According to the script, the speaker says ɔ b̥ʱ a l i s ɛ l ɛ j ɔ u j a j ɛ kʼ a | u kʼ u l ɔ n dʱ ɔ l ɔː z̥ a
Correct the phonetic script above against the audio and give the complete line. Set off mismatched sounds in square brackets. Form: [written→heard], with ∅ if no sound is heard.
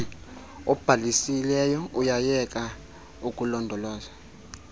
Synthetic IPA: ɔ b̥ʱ a l i s [ɛ→i] l ɛ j ɔ u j a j ɛ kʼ a | u kʼ u l ɔ n dʱ ɔ l ɔː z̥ a